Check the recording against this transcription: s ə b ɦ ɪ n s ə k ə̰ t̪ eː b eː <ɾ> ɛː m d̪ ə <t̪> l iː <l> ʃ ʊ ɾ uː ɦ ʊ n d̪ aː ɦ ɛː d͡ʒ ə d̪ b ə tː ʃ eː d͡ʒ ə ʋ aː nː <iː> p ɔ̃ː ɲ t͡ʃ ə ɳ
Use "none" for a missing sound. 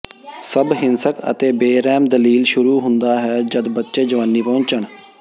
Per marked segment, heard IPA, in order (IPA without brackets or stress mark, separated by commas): ɾ, none, l, iː